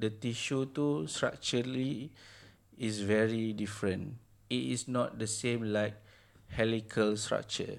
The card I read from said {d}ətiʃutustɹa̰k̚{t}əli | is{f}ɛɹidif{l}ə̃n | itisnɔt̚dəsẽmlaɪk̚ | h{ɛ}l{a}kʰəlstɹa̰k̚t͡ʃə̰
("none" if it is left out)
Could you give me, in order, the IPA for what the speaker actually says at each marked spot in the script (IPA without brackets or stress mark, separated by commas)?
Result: d, t͡ʃ, v, ɹ, ɛ, i